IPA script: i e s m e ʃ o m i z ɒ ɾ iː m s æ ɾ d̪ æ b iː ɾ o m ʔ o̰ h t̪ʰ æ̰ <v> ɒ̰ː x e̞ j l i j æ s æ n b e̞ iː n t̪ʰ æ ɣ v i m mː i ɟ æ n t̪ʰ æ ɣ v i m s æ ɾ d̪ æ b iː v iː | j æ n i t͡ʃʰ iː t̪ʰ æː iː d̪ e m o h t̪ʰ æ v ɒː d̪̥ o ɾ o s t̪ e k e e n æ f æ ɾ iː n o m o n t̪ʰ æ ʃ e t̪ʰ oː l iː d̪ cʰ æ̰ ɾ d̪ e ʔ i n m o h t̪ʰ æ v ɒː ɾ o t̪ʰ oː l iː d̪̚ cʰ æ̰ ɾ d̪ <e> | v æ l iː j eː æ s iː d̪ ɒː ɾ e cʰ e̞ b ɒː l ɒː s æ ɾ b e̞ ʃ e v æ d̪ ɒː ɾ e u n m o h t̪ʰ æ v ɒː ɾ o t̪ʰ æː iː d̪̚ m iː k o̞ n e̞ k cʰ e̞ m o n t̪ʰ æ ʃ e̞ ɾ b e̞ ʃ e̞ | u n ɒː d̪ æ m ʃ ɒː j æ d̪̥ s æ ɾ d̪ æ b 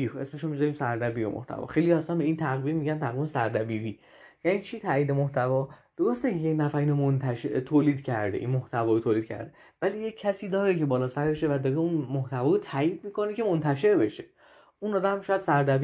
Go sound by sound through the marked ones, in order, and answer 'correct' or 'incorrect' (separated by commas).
correct, correct